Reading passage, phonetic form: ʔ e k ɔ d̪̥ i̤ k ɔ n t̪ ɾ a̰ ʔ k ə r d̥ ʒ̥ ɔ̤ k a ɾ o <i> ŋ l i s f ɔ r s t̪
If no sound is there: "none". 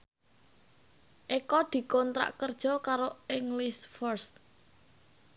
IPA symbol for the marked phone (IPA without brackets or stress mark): ɪ